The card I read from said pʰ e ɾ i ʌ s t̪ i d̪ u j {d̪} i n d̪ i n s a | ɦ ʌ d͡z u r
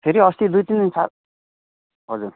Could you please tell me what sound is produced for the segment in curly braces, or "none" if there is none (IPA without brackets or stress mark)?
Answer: t̪